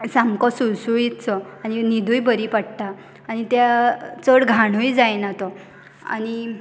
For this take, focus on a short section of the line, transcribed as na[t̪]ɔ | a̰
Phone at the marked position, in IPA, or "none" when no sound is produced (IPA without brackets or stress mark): t̪